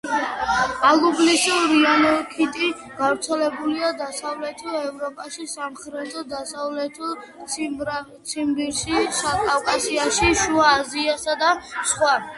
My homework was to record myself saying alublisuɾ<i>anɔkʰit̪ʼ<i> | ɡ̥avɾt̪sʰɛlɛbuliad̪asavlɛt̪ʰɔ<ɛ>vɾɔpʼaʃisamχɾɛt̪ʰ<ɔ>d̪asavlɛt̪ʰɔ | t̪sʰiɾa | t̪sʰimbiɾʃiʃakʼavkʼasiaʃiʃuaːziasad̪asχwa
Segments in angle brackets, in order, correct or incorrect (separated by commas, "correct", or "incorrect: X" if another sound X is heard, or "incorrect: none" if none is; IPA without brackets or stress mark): correct, correct, correct, correct